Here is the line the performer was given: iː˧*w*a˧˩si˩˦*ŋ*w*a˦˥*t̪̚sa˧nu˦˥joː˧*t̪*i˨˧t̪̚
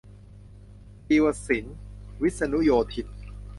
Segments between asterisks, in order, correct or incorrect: correct, incorrect, incorrect, incorrect

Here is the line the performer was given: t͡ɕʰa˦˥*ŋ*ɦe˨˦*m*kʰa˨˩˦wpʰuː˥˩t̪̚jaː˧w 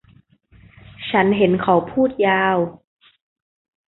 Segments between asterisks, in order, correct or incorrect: incorrect, incorrect

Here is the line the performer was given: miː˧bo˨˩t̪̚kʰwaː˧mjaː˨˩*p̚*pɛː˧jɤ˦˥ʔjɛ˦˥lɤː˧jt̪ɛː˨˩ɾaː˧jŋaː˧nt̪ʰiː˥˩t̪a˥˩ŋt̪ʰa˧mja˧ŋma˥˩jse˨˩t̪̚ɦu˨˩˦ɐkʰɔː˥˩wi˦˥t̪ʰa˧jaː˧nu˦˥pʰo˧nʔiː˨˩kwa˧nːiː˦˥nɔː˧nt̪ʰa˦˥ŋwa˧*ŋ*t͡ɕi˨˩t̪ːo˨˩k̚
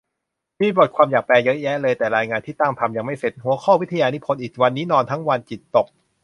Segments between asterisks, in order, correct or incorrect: incorrect, incorrect

